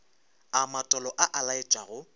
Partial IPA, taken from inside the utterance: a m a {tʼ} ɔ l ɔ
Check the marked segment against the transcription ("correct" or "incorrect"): correct